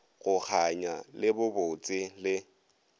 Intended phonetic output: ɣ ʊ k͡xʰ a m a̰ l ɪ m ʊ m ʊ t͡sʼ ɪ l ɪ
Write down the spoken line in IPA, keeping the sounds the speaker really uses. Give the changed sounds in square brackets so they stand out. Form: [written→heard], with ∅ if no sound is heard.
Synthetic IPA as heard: ɣ ʊ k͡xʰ a [m→ɲ] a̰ l ɪ [m→b] ʊ [m→b] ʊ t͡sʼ ɪ l ɪ